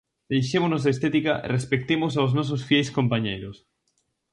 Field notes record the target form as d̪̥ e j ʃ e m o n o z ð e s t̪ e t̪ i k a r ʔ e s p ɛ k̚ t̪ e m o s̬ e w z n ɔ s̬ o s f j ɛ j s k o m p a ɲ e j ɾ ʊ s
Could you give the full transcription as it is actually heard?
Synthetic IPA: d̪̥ e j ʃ e m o n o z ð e s t̪ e t̪ i k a r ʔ e s p e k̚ t̪ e m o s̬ a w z n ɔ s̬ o s f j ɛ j s k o m p a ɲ e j ɾ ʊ s